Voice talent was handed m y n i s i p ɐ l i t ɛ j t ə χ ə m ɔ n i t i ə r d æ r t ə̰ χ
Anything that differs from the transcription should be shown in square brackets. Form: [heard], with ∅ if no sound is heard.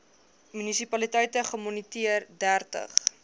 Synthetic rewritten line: m y n i s i p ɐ l i t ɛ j t ə χ ə m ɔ n i t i ə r d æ r t ə̰ χ